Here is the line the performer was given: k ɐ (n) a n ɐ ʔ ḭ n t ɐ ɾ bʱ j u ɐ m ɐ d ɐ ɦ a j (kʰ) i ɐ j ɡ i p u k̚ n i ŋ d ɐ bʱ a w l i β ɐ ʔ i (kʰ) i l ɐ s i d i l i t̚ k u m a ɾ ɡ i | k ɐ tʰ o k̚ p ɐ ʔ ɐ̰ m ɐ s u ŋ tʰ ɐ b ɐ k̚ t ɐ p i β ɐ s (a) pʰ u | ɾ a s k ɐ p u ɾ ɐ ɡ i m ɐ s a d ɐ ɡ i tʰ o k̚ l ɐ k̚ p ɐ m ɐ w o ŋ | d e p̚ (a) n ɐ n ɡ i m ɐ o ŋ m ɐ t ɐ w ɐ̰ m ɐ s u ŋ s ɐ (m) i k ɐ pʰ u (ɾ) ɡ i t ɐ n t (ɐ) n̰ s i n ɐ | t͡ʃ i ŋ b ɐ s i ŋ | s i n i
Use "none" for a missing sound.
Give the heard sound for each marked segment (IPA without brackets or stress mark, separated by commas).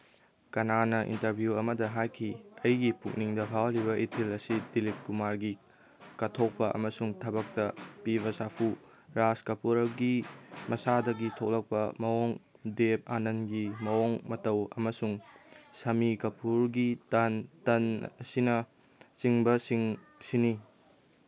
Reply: n, kʰ, tʰ, a, a, m, ɾ, ɐ